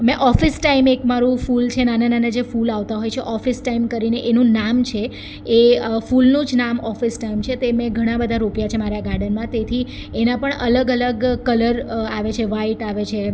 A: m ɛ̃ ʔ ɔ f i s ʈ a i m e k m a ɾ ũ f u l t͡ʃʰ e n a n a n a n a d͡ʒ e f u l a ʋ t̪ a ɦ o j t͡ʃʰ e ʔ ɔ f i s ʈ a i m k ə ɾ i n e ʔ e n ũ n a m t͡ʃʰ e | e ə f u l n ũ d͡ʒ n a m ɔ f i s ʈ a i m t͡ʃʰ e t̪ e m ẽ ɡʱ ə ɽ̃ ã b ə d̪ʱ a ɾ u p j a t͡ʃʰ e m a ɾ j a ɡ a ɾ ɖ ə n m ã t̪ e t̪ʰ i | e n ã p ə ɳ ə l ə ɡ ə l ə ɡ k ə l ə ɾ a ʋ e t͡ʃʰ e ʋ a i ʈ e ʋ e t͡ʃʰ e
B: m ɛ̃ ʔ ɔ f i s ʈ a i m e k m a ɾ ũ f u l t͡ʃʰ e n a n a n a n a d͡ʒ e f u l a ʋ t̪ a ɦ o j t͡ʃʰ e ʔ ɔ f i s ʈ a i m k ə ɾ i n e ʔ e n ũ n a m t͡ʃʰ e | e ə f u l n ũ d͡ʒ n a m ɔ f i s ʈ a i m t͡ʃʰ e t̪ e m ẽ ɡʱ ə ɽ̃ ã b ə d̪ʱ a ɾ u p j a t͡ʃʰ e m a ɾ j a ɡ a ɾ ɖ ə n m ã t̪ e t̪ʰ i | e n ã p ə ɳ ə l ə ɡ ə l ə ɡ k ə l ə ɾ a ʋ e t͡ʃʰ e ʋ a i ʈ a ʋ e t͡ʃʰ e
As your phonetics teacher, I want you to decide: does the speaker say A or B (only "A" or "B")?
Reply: B